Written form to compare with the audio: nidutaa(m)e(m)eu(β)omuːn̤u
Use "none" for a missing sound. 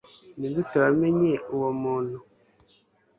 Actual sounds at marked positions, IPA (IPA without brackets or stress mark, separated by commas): m, ɲ, w